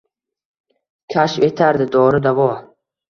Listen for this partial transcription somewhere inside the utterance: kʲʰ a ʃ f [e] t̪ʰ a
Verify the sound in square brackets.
correct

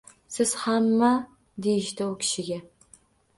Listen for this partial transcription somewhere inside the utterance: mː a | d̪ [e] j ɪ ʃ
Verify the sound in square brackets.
correct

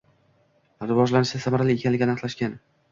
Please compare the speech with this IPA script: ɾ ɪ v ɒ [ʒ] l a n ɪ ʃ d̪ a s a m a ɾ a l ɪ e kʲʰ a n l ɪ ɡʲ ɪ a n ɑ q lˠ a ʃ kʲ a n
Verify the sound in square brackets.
correct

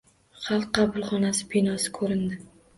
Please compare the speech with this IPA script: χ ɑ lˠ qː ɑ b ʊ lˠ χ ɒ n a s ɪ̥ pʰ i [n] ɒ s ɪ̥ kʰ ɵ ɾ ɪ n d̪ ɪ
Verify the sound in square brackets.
correct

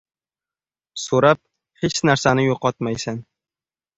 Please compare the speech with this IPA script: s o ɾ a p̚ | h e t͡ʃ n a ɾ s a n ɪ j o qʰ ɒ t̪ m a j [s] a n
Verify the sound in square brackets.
correct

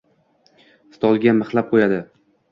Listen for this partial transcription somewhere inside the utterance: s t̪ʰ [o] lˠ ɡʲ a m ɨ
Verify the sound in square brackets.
incorrect: ɒ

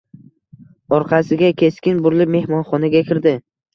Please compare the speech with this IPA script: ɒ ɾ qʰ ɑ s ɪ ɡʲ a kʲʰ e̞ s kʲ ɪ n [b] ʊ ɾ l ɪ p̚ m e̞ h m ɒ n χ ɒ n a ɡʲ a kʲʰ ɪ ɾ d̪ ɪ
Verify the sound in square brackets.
correct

